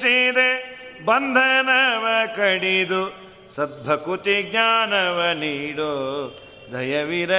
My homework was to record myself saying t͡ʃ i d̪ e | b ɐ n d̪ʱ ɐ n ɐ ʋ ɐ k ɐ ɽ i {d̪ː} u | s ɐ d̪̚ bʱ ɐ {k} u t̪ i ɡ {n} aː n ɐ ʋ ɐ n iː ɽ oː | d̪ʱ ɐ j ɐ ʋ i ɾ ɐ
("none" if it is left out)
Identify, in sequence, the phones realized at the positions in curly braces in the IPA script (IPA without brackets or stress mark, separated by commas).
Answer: d̪, k, ɲ